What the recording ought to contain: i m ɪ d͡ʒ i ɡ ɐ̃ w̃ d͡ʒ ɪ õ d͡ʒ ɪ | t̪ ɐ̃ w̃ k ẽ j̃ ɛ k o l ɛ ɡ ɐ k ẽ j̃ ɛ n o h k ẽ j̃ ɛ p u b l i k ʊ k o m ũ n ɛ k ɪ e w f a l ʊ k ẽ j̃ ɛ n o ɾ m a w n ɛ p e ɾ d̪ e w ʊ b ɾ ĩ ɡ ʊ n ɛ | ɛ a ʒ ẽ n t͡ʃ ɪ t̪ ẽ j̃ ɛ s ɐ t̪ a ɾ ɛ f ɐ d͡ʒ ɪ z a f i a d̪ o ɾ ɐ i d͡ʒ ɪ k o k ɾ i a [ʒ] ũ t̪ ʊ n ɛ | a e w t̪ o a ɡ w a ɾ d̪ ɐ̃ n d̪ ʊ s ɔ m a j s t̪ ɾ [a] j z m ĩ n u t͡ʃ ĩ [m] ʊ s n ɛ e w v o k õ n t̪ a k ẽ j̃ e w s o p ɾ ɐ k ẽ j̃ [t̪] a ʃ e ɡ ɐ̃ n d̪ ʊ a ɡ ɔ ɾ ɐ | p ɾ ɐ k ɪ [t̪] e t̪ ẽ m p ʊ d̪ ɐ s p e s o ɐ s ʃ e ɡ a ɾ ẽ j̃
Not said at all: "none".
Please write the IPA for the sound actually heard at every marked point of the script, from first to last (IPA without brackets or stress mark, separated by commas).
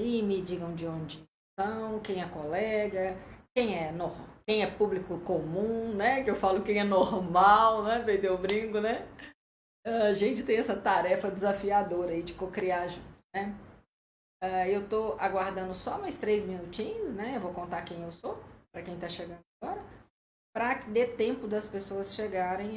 ʒ, e, ɲ, t̪, d̪